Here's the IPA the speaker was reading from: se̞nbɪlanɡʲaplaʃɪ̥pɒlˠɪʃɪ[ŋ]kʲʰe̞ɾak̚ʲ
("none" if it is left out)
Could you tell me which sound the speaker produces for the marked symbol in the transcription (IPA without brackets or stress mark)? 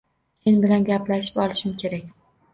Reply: m